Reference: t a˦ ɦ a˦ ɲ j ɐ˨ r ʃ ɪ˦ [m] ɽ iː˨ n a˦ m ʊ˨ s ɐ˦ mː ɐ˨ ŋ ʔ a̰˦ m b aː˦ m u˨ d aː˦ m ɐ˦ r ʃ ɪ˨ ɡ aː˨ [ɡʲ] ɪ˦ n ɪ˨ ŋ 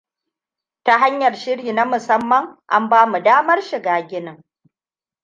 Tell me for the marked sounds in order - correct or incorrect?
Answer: incorrect: none, correct

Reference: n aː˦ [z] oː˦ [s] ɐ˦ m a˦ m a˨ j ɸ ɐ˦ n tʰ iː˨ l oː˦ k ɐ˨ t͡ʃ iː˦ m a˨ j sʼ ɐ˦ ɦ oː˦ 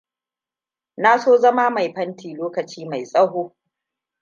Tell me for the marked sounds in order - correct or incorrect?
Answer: incorrect: s, incorrect: z

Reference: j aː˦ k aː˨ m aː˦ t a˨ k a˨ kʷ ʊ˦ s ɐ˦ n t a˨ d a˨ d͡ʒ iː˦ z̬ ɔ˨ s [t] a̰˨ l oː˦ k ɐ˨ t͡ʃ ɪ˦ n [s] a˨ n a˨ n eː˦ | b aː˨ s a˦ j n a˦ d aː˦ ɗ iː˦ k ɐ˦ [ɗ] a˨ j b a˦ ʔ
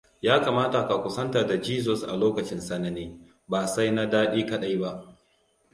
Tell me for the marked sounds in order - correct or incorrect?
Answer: incorrect: ʔ, correct, correct

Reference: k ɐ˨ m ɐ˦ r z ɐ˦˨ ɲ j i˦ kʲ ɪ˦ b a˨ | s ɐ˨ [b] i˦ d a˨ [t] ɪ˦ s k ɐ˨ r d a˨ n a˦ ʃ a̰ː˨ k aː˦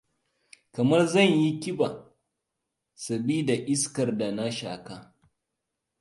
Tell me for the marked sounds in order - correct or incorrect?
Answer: correct, incorrect: ʔ

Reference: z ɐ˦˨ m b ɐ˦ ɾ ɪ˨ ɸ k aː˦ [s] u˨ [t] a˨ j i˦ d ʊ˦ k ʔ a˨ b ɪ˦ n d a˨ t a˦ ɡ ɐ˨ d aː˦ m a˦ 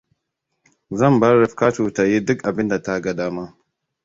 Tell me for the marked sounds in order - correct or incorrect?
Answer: incorrect: t, correct

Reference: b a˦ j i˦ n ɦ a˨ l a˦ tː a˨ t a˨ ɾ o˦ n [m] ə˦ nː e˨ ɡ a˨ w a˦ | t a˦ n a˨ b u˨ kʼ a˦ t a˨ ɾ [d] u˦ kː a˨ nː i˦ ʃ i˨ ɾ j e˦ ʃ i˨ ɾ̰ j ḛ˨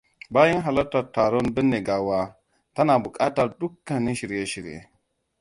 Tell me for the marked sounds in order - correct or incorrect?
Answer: incorrect: b, correct

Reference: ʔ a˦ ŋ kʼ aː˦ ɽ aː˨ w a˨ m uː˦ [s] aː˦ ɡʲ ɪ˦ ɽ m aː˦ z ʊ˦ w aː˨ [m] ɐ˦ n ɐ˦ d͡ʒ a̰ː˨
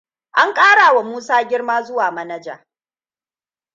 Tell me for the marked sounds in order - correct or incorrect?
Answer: correct, correct

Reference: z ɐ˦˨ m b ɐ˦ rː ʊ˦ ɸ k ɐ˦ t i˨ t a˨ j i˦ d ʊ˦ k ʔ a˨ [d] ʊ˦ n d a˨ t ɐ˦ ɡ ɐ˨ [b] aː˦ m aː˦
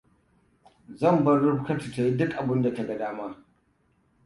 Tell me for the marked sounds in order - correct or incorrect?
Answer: incorrect: b, incorrect: d

